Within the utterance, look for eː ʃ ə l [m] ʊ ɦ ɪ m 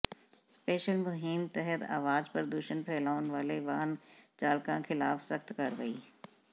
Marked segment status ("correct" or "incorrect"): correct